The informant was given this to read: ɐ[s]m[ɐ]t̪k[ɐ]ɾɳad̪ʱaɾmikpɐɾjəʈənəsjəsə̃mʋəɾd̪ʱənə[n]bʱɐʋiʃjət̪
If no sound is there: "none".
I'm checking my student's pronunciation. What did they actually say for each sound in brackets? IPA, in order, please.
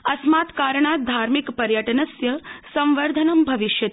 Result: s, a, a, m

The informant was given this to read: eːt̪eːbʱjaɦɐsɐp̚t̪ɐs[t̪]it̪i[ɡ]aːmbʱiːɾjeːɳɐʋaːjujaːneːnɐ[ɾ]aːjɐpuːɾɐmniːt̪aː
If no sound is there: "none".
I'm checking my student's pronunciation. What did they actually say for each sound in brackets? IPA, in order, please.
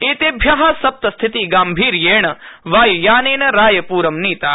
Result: t̪ʰ, ɡ, ɾ

